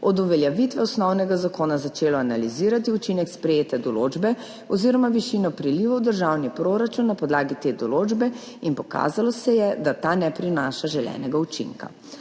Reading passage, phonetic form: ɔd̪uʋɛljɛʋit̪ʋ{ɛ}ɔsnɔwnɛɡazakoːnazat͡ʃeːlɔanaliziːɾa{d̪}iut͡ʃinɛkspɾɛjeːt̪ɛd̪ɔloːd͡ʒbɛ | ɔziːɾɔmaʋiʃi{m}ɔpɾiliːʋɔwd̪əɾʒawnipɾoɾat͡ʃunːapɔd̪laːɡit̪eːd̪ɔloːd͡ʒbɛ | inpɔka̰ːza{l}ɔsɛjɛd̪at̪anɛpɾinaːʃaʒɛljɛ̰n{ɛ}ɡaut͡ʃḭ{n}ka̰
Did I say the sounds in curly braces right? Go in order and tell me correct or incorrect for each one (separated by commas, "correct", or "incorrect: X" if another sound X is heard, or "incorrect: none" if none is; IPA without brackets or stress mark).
correct, incorrect: t̪, incorrect: n, correct, correct, incorrect: ŋ